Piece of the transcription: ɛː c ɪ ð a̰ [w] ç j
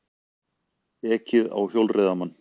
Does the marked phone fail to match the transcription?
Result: no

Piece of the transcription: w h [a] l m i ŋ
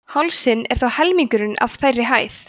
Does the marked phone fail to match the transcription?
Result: yes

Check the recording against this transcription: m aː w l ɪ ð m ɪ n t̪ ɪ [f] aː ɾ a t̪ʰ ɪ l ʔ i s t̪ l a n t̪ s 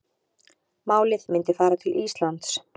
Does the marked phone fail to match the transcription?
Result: no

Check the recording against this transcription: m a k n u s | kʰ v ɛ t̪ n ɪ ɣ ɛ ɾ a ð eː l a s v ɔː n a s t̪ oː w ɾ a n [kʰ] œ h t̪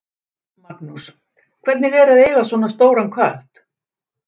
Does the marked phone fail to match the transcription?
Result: no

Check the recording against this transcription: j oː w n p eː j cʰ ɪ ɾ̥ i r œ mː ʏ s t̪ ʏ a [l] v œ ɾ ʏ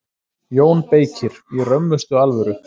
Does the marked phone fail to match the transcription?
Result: no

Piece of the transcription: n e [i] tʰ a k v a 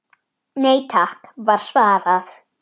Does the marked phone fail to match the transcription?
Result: yes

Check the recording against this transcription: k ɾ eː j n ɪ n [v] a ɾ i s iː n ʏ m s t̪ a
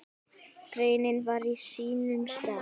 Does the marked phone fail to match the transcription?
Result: no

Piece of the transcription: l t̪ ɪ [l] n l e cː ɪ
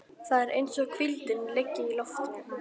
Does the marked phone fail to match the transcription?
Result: yes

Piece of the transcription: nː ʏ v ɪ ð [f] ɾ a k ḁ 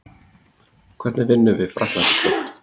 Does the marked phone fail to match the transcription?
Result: no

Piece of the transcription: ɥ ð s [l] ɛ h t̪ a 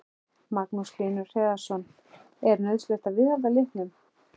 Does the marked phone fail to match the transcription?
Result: no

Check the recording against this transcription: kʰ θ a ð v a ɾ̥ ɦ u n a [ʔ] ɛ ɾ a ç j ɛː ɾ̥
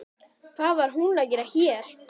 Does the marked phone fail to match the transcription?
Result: yes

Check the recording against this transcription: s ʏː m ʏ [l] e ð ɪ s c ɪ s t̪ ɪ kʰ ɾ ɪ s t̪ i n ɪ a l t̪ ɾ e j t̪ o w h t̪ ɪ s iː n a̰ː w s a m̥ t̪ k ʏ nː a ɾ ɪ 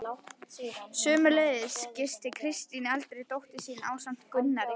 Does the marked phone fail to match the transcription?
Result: no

